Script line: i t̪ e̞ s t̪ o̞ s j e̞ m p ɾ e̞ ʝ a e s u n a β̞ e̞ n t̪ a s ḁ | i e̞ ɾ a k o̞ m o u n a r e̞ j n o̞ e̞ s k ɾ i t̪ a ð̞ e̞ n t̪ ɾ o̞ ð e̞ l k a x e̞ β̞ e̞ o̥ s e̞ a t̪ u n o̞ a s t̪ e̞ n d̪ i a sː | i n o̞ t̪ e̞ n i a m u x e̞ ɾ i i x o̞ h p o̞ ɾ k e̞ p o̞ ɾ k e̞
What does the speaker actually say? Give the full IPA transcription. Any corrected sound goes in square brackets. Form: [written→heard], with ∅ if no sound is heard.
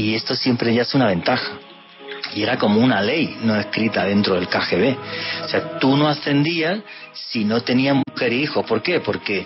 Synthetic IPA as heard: i [t̪→∅] e̞ s t̪ o̞ s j e̞ m p ɾ e̞ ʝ a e s u n a β̞ e̞ n t̪ a [s→x] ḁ | i e̞ ɾ a k o̞ m o u n a [r→l] e̞ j n o̞ e̞ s k ɾ i t̪ a ð̞ e̞ n t̪ ɾ o̞ ð e̞ l k a x e̞ β̞ e̞ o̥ s e̞ a t̪ u n o̞ a s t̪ e̞ n d̪ i a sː | i n o̞ t̪ e̞ n i a m u x e̞ ɾ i i x o̞ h p o̞ ɾ k e̞ p o̞ ɾ k e̞